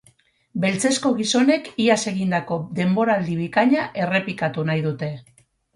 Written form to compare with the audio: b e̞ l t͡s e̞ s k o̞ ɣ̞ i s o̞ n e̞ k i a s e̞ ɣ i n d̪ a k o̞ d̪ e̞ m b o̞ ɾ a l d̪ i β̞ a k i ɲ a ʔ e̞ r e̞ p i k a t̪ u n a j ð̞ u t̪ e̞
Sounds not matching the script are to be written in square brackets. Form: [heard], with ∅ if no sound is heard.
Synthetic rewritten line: b e̞ l t͡s e̞ s k o̞ ɣ̞ i s o̞ n e̞ k i a s e̞ ɣ i n d̪ a k o̞ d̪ e̞ m b o̞ ɾ a l d̪ i β̞ [i] k [a] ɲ a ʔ e̞ r e̞ p i k a t̪ u n a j ð̞ u t̪ e̞